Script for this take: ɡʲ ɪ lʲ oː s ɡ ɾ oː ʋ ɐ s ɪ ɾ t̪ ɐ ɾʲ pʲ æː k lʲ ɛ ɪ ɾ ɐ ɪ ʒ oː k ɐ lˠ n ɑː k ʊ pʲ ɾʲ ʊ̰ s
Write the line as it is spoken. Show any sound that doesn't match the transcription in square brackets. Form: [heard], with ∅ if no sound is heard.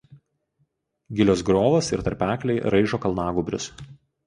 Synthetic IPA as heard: ɡʲ ɪ lʲ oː s ɡ ɾ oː ʋ ɐ s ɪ ɾ t̪ ɐ ɾʲ pʲ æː k lʲ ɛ ɪ ɾ ɐ ɪ ʒ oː k ɐ lˠ n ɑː [ɡ] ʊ [bʲ] ɾʲ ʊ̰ s